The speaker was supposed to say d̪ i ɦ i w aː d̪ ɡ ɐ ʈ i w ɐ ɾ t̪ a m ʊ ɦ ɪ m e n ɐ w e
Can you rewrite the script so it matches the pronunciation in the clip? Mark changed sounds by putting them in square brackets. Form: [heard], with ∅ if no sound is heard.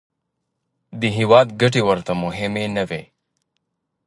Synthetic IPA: d̪ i ɦ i w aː d̪ ɡ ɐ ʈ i w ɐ ɾ t̪ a m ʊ ɦ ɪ m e n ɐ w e